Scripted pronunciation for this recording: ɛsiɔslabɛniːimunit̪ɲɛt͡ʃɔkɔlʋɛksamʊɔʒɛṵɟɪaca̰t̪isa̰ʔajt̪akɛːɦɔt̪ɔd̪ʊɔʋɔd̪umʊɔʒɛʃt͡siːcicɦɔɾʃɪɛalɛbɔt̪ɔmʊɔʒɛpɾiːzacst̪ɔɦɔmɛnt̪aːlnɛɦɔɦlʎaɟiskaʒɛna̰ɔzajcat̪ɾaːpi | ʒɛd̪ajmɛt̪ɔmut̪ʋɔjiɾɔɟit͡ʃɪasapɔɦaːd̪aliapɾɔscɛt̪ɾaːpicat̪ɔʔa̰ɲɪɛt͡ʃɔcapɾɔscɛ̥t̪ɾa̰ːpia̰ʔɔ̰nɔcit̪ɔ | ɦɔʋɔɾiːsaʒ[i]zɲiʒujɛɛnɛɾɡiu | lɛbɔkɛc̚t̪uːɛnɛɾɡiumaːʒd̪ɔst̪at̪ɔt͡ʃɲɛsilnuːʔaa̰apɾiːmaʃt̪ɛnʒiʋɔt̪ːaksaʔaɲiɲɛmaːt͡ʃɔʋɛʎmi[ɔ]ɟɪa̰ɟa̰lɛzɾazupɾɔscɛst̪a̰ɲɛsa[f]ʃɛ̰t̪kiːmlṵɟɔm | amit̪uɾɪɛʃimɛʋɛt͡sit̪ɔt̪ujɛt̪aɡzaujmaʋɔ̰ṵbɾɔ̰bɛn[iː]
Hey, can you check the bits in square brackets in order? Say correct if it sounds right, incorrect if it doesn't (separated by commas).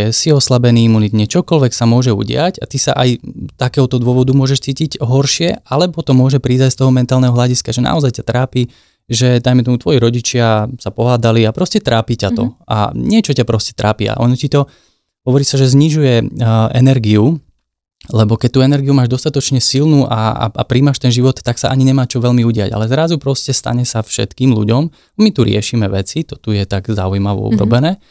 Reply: incorrect, incorrect, correct, incorrect